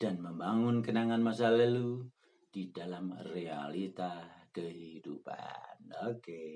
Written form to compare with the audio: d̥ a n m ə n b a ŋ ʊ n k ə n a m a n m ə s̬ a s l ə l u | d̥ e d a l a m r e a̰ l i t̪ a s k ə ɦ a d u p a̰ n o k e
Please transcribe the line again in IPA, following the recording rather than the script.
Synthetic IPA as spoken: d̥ a n m ə m b a ŋ ʊ n k ə n a ŋ a n m a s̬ a l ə l u | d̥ i d a l a m r e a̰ l i t̪ a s k ə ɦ i d u p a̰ n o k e